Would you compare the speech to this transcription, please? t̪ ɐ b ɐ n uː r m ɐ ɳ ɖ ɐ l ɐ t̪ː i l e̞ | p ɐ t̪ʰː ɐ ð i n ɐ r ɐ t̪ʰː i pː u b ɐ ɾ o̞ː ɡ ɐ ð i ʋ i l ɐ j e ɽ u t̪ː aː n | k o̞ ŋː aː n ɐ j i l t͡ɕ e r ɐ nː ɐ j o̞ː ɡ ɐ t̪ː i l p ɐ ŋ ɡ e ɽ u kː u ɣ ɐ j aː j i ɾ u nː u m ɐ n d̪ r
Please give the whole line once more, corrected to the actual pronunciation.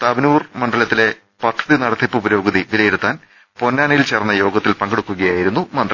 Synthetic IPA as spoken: t̪ ɐ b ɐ n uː r m ɐ ɳ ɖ ɐ l ɐ t̪ː i l e̞ | p ɐ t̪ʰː ɐ ð i n ɐ ɽ ɐ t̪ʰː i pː u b ɐ ɾ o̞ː ɡ ɐ ð i ʋ i l ɐ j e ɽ u t̪ː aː n | p o̞ nː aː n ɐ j i l t͡ɕ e r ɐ nː ɐ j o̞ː ɡ ɐ t̪ː i l p ɐ ŋ ɡ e ɽ u kː u ɣ ɐ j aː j i ɾ u nː u m ɐ n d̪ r